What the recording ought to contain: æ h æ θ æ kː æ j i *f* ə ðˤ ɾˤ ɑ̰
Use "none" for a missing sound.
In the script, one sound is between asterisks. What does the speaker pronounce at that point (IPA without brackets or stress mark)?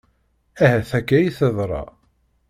θ